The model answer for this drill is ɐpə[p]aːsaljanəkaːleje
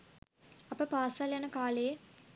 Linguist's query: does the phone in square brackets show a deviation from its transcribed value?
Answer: no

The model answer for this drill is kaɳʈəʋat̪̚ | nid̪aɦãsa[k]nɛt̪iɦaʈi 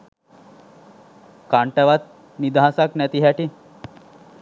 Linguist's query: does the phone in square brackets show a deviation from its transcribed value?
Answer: no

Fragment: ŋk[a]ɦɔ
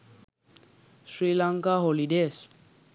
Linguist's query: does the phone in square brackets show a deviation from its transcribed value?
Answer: no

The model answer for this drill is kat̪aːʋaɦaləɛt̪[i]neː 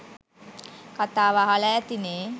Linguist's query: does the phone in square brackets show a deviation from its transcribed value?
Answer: no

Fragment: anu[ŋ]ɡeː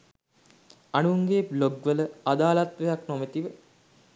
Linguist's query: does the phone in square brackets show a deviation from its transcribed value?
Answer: no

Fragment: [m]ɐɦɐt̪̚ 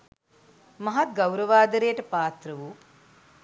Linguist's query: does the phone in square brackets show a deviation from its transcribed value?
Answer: no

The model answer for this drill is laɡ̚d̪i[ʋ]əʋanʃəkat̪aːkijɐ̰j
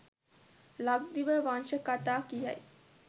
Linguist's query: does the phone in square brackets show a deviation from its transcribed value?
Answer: no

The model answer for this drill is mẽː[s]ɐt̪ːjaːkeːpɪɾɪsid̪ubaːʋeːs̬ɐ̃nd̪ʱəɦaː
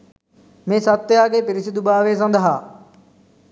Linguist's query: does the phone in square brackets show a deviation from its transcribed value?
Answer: no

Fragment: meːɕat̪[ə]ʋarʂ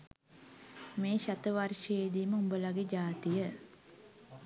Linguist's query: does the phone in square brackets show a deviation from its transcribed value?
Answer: no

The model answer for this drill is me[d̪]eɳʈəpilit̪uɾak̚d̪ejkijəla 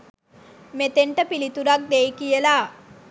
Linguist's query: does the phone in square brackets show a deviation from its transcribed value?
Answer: yes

